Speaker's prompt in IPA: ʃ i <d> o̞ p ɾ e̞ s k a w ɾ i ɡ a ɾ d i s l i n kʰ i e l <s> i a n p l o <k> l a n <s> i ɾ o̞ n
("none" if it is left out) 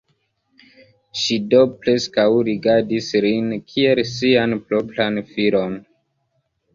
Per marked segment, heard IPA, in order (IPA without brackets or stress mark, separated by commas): d, s, p, f